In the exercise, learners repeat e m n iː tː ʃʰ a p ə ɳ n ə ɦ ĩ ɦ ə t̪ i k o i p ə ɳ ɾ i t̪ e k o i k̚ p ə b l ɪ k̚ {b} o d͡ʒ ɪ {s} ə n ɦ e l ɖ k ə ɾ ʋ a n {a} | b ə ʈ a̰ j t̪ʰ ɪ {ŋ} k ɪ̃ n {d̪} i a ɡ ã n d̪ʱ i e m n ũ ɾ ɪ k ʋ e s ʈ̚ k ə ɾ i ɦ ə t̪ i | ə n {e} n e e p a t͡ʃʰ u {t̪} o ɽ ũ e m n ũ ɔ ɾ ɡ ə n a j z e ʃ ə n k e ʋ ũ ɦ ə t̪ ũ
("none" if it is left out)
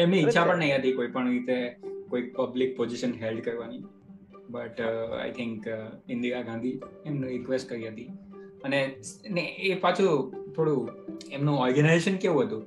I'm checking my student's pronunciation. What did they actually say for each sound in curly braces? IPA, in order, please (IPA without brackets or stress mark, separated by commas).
p, ʃ, i, ŋ, d̪, e, t̪ʰ